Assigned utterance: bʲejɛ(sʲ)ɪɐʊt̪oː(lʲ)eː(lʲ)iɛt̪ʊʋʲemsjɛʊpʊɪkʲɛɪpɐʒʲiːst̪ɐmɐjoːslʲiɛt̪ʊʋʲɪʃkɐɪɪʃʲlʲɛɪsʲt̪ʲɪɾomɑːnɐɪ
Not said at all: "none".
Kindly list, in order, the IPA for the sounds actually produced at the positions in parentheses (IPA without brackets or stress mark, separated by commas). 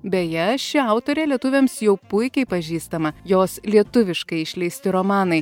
ʃʲ, ɾʲ, lʲ